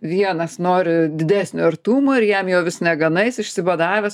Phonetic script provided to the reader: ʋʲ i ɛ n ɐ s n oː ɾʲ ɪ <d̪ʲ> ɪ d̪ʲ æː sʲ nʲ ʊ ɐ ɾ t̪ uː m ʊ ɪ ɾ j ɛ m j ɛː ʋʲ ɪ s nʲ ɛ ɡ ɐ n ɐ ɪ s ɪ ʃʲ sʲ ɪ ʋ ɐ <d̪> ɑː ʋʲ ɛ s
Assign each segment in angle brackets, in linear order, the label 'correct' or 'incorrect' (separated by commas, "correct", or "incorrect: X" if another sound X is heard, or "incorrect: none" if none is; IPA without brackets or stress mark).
correct, correct